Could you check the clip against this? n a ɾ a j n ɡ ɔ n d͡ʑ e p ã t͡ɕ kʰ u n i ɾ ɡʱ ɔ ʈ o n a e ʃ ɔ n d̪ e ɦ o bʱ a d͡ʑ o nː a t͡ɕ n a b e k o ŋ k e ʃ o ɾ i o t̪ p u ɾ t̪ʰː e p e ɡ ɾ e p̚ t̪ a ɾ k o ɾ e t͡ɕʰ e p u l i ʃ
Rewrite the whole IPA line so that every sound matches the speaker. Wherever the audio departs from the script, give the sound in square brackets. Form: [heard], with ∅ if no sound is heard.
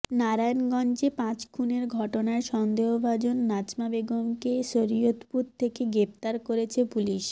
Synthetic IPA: n a ɾ a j n ɡ ɔ n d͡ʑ e p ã t͡ɕ kʰ u n [e] ɾ ɡʱ ɔ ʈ o n a e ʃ ɔ n d̪ e ɦ o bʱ a d͡ʑ o nː a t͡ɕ [m] a b e [ɡ] o [m] k e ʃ o ɾ i o t̪ p u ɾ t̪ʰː e [k] e ɡ ɾ e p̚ t̪ a ɾ k o ɾ e t͡ɕʰ e p u l i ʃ